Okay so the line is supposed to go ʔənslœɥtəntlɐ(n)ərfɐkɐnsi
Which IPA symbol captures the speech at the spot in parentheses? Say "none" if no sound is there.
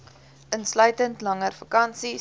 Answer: ŋ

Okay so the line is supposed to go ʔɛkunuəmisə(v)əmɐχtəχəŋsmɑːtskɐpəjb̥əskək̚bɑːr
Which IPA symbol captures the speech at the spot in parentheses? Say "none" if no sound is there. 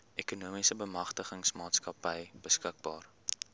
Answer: b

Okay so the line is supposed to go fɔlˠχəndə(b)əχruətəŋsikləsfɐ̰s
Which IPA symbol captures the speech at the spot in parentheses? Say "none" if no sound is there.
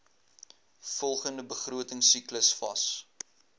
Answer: b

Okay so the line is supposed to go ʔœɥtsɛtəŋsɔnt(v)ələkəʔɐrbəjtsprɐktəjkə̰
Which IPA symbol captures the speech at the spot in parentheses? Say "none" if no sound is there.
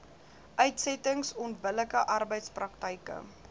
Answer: b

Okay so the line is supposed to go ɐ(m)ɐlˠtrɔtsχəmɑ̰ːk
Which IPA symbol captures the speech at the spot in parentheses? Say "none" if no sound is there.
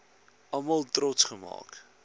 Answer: m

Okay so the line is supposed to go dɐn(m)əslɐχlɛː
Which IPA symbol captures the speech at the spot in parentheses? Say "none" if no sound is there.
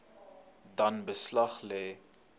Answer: b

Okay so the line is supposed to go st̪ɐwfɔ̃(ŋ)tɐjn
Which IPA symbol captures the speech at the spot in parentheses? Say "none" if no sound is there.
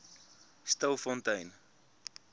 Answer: n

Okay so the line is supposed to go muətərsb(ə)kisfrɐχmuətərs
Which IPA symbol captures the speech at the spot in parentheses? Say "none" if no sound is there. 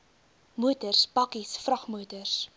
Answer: ɐ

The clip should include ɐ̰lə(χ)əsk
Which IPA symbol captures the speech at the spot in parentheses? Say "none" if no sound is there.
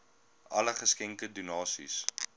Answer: χ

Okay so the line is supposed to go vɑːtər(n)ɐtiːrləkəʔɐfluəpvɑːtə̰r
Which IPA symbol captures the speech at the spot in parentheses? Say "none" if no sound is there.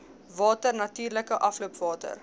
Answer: n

